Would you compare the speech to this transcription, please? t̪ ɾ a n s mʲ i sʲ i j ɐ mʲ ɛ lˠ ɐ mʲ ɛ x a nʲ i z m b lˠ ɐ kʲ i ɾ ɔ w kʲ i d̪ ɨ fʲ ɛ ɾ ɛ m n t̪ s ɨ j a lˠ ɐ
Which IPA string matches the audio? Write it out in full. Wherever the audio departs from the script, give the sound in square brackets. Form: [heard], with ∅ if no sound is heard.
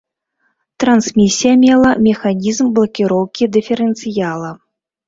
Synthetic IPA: t̪ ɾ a n s mʲ i sʲ i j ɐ mʲ ɛ lˠ ɐ mʲ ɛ x a nʲ i z m b lˠ ɐ kʲ i ɾ ɔ w kʲ i d̪ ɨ fʲ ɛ ɾ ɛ [∅] n t̪ s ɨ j a lˠ ɐ

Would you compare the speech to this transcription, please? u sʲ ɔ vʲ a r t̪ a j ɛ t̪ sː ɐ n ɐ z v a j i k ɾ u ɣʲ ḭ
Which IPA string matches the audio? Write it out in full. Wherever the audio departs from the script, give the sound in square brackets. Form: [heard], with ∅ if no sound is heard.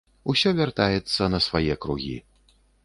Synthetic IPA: u sʲ ɔ vʲ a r t̪ a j ɛ t̪ sː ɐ n ɐ [s] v a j [ɛ] k ɾ u ɣʲ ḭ

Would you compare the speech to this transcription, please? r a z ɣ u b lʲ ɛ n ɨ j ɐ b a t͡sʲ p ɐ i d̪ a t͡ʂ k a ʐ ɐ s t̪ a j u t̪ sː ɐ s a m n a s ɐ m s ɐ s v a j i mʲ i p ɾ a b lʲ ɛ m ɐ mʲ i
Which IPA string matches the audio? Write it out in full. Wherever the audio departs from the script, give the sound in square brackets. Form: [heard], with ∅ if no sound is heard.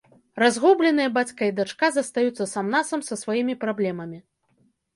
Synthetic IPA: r a z ɣ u b lʲ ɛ n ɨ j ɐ b a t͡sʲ [k] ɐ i d̪ a t͡ʂ k a [z] ɐ s t̪ a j u t̪ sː ɐ s a m n a s ɐ m s ɐ s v a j i mʲ i p ɾ a b lʲ ɛ m ɐ mʲ i

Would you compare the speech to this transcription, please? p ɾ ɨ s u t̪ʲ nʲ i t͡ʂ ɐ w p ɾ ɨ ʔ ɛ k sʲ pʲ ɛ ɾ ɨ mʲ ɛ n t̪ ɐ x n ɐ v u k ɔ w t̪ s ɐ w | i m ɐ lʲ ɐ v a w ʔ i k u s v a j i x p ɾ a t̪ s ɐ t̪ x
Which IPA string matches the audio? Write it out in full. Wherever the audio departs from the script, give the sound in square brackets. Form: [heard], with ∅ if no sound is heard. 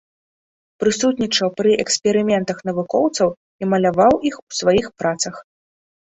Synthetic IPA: p ɾ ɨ s u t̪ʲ nʲ i t͡ʂ ɐ w p ɾ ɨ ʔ ɛ k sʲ pʲ ɛ ɾ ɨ mʲ ɛ n t̪ ɐ x n ɐ v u k ɔ w t̪ s ɐ w | i m ɐ lʲ [a] v a w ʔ i [x] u s v a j i x p ɾ a t̪ s ɐ [∅] x

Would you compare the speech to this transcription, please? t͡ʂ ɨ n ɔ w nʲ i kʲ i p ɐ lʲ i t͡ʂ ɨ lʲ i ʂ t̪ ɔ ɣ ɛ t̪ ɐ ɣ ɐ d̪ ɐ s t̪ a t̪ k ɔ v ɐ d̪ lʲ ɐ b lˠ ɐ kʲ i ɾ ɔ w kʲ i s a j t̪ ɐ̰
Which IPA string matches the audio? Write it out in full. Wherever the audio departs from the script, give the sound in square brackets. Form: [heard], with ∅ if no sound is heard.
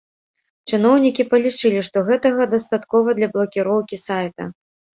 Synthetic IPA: t͡ʂ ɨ n ɔ w nʲ i kʲ i p ɐ lʲ i t͡ʂ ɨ lʲ i ʂ t̪ ɔ ɣ ɛ t̪ ɐ ɣ ɐ d̪ ɐ s t̪ a t̪ k ɔ v ɐ d̪ lʲ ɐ b lˠ ɐ kʲ i ɾ ɔ w kʲ i s a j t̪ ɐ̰

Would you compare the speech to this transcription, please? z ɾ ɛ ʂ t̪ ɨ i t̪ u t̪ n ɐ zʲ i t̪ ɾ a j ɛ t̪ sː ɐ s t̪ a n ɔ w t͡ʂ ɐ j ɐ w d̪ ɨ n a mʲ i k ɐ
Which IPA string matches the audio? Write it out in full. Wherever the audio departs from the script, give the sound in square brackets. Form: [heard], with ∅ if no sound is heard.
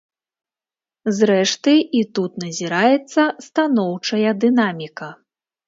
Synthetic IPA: z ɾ ɛ ʂ t̪ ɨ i t̪ u t̪ n ɐ zʲ i [∅] ɾ a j ɛ t̪ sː ɐ s t̪ a n ɔ w t͡ʂ ɐ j ɐ [∅] d̪ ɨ n a mʲ i k ɐ

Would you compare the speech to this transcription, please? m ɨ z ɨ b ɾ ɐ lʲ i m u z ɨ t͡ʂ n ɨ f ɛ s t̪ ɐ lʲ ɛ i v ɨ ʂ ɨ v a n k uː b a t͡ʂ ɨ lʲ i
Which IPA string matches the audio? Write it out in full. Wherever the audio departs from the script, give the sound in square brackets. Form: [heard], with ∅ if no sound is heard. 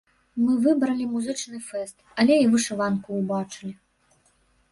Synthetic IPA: m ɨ [v] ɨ b ɾ ɐ lʲ i m u z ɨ t͡ʂ n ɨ f ɛ s t̪ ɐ lʲ ɛ i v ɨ ʂ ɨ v a n k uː b a t͡ʂ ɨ lʲ i

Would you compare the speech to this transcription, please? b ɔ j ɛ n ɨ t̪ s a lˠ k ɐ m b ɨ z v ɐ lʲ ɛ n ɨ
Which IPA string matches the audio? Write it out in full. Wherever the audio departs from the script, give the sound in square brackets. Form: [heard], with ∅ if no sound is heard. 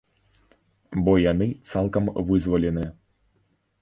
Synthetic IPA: b ɔ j [a] n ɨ t̪ s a lˠ k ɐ m [v] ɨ z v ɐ lʲ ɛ n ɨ

